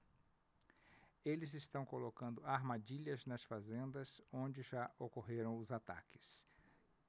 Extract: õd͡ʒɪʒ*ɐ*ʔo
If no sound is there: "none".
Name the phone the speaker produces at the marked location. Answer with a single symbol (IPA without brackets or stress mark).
a